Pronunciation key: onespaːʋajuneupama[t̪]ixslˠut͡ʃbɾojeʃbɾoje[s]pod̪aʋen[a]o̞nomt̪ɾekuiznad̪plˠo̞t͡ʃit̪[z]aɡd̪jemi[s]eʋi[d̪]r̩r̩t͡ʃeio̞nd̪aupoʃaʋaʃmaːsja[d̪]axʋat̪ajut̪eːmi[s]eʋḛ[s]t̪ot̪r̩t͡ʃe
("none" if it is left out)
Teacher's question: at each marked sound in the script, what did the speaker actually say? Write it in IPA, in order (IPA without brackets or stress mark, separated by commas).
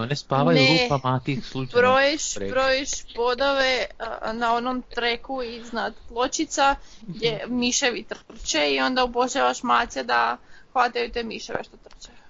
t̪, ʃ, a, s, ʃ, t̪, d̪, ʃ, ʃ